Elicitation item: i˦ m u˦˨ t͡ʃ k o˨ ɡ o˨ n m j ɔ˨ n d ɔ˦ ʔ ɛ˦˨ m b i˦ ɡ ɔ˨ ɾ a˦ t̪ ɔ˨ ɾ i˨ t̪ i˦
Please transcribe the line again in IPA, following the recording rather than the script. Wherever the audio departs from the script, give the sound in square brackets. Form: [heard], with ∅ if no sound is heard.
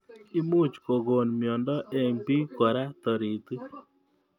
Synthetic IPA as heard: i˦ m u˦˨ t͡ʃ k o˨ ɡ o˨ n m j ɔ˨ n d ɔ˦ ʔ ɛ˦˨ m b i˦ [k] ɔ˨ ɾ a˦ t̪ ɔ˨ ɾ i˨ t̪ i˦